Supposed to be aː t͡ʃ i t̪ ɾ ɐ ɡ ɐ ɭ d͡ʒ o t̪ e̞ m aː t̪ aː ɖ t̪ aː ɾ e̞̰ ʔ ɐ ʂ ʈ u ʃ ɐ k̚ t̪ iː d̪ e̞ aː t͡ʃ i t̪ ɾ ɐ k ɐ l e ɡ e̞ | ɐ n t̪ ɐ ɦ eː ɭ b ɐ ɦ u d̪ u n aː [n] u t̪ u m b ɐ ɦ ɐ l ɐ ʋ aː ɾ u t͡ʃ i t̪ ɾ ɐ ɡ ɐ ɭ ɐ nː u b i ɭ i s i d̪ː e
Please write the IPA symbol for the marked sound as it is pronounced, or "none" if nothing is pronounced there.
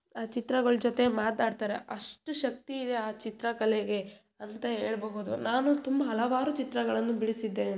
n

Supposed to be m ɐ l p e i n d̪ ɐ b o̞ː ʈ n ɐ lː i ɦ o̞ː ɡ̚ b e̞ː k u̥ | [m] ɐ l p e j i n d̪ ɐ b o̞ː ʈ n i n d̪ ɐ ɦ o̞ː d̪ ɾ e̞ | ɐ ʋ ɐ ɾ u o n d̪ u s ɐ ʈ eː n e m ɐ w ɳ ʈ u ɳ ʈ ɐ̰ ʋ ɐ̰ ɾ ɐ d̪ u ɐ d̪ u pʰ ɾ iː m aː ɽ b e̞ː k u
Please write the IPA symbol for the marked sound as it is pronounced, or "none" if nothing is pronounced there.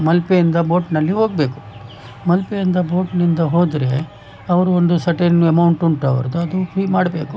m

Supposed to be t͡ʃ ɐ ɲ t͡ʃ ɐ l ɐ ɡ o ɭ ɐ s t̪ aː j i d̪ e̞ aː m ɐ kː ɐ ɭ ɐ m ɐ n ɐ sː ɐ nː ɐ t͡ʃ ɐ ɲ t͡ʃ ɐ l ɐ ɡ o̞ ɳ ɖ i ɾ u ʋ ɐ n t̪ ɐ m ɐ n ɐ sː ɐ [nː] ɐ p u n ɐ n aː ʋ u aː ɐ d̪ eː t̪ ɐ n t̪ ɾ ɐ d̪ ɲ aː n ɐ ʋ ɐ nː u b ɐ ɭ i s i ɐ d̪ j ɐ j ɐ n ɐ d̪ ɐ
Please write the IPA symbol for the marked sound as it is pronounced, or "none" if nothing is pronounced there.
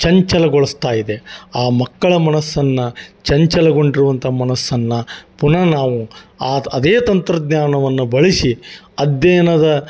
nː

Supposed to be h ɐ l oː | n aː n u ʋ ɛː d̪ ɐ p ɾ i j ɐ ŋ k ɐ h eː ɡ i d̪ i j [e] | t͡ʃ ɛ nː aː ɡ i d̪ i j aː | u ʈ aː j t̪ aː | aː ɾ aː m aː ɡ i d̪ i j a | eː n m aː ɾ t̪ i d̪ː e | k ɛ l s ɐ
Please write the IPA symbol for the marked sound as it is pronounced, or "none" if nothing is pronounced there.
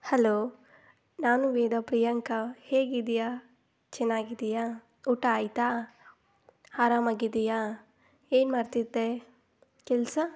a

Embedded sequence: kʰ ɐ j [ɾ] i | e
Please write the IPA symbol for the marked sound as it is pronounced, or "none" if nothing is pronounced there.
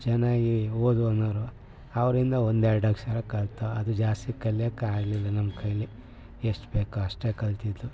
l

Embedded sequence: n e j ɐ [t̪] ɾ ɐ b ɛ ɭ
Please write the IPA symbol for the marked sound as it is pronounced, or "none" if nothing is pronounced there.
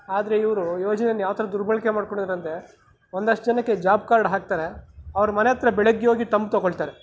t̪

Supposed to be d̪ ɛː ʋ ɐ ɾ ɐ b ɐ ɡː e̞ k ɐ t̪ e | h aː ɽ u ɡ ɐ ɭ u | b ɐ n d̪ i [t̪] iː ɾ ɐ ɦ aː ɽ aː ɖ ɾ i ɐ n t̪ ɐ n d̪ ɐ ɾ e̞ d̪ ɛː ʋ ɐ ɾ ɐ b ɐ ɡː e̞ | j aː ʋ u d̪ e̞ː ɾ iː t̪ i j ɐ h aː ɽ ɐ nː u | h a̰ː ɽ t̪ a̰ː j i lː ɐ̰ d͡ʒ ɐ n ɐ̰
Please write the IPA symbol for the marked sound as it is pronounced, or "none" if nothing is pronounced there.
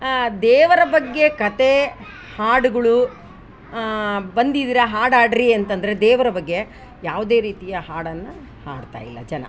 d̪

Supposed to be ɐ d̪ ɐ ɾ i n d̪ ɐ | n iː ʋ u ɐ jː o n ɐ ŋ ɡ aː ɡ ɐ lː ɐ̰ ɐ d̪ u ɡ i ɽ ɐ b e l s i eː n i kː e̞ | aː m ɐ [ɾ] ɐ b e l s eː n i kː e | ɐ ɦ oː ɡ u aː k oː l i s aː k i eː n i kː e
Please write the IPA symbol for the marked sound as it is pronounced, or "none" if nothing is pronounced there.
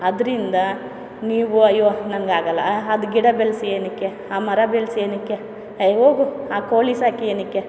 ɾ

